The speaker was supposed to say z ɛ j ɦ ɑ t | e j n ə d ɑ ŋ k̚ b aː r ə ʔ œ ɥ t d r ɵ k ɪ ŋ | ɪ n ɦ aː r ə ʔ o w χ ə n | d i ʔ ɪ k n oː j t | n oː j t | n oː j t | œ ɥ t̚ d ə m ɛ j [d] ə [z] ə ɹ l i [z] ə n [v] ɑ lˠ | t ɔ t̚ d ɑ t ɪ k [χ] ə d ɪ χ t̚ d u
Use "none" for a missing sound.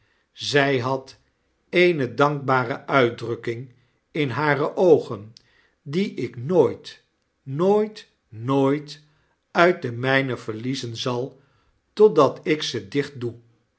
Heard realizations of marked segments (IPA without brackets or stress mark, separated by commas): n, v, z, z, s